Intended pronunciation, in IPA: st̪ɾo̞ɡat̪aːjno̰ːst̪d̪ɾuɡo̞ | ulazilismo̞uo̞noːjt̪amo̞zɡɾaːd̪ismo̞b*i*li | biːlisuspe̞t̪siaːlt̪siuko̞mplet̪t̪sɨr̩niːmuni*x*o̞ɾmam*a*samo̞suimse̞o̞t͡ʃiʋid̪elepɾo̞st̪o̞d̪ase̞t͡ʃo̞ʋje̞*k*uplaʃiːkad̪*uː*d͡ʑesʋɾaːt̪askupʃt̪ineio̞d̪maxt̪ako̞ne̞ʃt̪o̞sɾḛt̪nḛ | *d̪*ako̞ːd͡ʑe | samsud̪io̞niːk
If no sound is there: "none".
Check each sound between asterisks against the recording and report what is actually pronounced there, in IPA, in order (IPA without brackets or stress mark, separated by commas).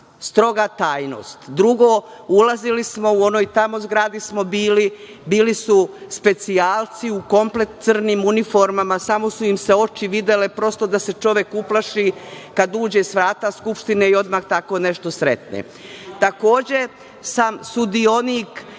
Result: iː, f, a, k, uː, t̪